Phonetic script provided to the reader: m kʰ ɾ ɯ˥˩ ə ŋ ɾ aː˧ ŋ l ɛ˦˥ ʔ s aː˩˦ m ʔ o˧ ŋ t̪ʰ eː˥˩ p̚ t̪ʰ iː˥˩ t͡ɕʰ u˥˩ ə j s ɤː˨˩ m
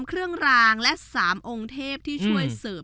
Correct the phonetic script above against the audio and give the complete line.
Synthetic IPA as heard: m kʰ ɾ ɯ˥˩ ə ŋ ɾ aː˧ ŋ l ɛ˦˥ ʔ s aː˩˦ m ʔ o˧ ŋ t̪ʰ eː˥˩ p̚ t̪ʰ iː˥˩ t͡ɕʰ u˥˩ ə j s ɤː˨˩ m